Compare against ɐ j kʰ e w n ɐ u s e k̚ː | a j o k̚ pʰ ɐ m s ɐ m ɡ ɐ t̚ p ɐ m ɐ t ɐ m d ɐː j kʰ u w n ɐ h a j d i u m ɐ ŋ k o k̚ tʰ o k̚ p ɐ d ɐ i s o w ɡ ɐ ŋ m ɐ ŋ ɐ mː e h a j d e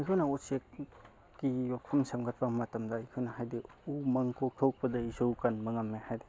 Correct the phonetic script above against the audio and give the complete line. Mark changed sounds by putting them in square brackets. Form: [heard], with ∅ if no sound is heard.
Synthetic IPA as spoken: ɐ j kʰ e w n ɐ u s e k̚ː | [i] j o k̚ pʰ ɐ m s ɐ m ɡ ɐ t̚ p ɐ m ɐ t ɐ m d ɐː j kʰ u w n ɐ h a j d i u m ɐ ŋ k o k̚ tʰ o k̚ p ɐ d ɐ i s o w [k] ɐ [n] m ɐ ŋ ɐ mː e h a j d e